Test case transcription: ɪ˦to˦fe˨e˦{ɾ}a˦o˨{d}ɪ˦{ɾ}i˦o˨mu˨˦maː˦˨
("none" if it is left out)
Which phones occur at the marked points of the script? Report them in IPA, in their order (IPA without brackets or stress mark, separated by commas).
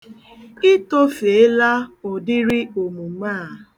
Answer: l, d, ɾ